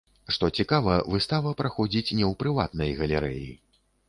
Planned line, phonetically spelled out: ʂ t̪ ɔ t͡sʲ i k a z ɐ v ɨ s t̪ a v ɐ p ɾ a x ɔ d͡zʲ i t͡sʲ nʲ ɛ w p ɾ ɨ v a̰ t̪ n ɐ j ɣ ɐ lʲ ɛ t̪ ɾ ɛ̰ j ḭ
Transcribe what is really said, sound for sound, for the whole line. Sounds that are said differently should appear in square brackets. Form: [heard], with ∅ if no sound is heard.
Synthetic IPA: ʂ t̪ ɔ t͡sʲ i k a [v] ɐ v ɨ s t̪ a v ɐ p ɾ a x ɔ d͡zʲ i t͡sʲ nʲ ɛ w p ɾ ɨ v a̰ t̪ n ɐ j ɣ ɐ lʲ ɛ [∅] ɾ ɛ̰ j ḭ

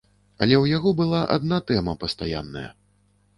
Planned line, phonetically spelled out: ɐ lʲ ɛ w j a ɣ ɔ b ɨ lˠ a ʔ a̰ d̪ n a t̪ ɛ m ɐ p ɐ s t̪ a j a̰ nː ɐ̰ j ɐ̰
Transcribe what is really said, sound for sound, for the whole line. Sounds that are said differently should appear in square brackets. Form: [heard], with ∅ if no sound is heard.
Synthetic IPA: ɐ lʲ ɛ w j a ɣ ɔ b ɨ lˠ a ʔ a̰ d̪ n a t̪ ɛ m ɐ p ɐ s t̪ a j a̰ nː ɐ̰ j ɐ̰

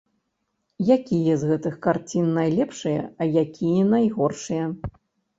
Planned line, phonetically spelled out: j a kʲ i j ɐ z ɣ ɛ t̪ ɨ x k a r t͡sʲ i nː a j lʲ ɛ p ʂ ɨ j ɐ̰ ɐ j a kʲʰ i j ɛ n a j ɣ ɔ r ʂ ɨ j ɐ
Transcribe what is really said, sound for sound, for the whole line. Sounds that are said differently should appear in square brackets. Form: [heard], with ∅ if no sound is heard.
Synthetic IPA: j a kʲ i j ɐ z ɣ ɛ t̪ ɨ x k a r t͡sʲ i nː a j lʲ ɛ p ʂ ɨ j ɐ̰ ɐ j a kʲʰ i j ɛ n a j ɣ ɔ r ʂ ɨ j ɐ

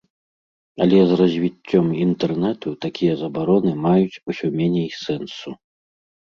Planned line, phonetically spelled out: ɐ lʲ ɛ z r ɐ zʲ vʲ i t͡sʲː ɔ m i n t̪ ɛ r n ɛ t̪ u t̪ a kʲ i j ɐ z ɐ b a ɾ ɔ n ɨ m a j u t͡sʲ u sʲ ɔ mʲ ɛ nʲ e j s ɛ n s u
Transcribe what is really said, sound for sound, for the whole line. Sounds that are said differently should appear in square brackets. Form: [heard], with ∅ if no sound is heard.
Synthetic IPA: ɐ lʲ ɛ z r ɐ zʲ vʲ i t͡sʲː ɔ m i n t̪ ɛ r n ɛ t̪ u t̪ a kʲ i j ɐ z ɐ b a ɾ ɔ n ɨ m a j u t͡sʲ u sʲ ɔ mʲ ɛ nʲ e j s ɛ n s u

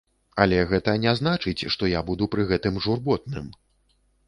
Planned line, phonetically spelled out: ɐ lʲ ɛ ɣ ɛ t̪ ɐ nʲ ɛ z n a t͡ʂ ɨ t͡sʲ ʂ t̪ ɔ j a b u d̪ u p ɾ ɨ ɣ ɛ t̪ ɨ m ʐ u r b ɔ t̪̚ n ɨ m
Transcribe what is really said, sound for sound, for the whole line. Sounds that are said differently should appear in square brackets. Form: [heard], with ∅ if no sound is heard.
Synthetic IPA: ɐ lʲ ɛ ɣ ɛ t̪ ɐ nʲ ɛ z n a t͡ʂ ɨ t͡sʲ ʂ t̪ ɔ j a b u d̪ u p ɾ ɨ ɣ ɛ t̪ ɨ m ʐ u r b ɔ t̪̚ n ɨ m

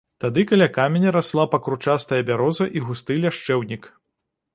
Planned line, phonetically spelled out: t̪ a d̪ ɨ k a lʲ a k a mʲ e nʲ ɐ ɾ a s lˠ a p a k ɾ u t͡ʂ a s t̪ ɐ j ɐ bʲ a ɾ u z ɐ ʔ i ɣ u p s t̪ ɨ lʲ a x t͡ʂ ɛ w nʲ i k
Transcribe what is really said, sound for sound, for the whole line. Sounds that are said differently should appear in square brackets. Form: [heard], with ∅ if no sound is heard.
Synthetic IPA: t̪ a d̪ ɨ k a lʲ a k a mʲ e nʲ ɐ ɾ a s lˠ a p [ɐ] k ɾ u t͡ʂ a s t̪ ɐ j ɐ bʲ a ɾ [ɔ] z ɐ ʔ i ɣ u [∅] s t̪ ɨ lʲ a [ʂ] t͡ʂ ɛ w nʲ i k

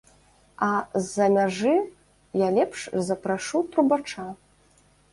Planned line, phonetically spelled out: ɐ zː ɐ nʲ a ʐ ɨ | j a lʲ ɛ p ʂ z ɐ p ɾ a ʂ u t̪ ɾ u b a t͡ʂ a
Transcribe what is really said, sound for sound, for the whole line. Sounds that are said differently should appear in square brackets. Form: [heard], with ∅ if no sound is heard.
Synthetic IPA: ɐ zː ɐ [mʲ] a ʐ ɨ | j a lʲ ɛ p ʂ z ɐ p ɾ a ʂ u t̪ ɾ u b a t͡ʂ a

